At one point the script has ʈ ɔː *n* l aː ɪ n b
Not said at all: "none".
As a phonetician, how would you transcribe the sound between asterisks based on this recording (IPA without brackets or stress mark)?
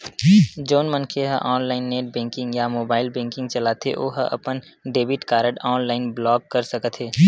n